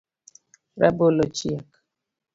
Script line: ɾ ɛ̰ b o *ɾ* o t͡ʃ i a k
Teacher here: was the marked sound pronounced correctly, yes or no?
no